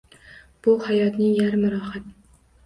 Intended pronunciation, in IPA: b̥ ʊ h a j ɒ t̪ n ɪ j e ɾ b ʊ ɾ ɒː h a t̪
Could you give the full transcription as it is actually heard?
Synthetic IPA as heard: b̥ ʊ h a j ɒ t̪ n ɪ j a ɾ m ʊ ɾ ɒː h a t̪